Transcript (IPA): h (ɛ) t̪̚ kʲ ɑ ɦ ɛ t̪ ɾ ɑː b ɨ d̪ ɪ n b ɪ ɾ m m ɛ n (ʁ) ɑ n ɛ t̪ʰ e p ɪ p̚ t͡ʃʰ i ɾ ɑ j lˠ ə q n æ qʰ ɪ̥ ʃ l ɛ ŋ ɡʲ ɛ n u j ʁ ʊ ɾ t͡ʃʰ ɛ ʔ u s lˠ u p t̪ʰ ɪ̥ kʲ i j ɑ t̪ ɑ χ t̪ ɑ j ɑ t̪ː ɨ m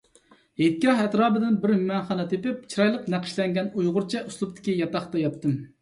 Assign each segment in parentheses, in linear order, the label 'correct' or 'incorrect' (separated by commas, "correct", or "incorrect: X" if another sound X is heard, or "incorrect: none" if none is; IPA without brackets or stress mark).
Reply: incorrect: e, incorrect: χ